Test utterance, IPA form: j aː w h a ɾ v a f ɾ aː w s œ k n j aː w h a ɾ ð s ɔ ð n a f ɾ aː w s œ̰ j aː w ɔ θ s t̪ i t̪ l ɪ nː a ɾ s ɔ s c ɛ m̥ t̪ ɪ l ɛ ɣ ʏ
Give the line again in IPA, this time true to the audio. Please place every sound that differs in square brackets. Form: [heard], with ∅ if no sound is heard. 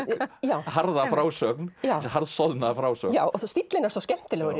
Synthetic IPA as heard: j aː w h a ɾ [ð] a f ɾ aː w s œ k n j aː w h a ɾ ð s ɔ ð n a f ɾ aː w s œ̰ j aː w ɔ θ s t̪ i t̪ l ɪ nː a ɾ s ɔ s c ɛ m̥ t̪ ɪ l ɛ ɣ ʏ